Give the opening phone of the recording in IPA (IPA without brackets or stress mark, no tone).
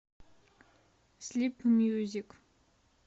s